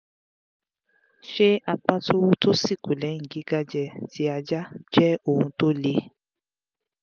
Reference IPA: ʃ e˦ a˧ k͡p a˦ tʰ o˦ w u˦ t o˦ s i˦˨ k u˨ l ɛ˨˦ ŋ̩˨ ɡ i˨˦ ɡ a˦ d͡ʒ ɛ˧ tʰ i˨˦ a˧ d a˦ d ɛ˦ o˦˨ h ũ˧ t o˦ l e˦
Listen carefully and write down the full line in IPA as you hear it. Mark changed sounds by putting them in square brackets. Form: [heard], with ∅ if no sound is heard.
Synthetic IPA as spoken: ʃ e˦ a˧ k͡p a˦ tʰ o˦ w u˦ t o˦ s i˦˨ k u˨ l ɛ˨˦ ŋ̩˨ ɡ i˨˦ ɡ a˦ d͡ʒ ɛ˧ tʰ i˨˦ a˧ [d͡ʒ] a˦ [d͡ʒ] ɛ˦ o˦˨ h ũ˧ t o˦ l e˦